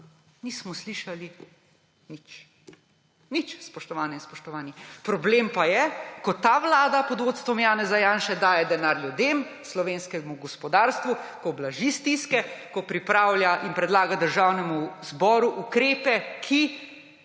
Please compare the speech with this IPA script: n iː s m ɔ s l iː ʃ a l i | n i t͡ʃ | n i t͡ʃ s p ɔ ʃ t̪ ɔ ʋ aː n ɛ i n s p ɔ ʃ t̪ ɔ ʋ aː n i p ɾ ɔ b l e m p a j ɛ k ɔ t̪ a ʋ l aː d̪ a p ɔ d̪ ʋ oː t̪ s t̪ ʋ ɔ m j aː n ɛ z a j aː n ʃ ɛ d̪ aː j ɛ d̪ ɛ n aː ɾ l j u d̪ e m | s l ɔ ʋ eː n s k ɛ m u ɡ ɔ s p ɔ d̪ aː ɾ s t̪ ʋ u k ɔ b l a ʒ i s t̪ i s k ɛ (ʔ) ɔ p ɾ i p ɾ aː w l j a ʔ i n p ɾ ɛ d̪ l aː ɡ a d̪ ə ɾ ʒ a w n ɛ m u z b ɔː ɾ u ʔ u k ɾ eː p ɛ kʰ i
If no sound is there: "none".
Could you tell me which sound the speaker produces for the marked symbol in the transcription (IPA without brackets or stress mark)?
k